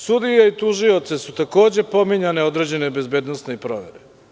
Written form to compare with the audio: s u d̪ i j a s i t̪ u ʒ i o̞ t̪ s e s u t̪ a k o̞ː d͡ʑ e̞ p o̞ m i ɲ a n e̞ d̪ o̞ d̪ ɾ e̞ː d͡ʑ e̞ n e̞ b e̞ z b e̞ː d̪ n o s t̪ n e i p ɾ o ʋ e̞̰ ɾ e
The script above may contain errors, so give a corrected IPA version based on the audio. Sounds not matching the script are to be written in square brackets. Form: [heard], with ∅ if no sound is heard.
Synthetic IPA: s u d̪ i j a [∅] i t̪ u ʒ i o̞ t̪ s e s u t̪ a k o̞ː d͡ʑ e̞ p o̞ m i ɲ a n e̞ [∅] o̞ d̪ ɾ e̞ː d͡ʑ e̞ n e̞ b e̞ z b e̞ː d̪ n o s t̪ n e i p ɾ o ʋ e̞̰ ɾ e

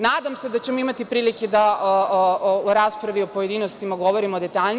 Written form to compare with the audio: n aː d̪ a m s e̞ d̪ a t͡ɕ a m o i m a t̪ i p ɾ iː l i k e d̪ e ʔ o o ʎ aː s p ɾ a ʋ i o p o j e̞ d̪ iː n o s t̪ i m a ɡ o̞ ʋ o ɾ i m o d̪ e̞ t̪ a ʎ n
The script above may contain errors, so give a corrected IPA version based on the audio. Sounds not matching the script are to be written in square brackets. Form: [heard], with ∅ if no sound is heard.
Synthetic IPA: n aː d̪ a m s e̞ d̪ a t͡ɕ [e] m o i m a t̪ i p ɾ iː l i k e d̪ [a] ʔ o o [ɾ] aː s p ɾ a ʋ i o p o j e̞ d̪ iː n o s t̪ i m a ɡ o̞ ʋ o ɾ i m o d̪ e̞ t̪ a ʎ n

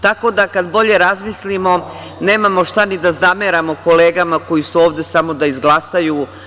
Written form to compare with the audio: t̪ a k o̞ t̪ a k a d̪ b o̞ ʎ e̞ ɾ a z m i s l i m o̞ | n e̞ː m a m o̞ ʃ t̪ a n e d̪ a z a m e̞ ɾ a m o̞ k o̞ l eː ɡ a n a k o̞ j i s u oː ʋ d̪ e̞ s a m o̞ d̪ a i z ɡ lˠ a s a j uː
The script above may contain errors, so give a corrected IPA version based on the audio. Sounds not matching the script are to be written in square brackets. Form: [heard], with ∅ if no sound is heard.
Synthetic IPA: t̪ a k o̞ [d̪] a k a d̪ b o̞ ʎ e̞ ɾ a z m i s l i m o̞ | n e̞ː m a m o̞ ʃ t̪ a n [i] d̪ a z a m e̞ ɾ a m o̞ k o̞ l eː ɡ a [m] a k o̞ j i s u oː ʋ d̪ e̞ s a m o̞ d̪ a i z ɡ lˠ a s a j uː

